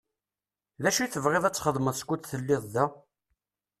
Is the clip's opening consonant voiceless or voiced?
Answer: voiced